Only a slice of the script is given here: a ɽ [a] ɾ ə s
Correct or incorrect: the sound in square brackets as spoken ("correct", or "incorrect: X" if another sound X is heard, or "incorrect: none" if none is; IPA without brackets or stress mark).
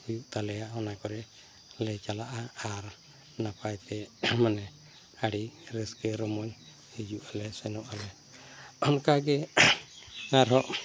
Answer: incorrect: i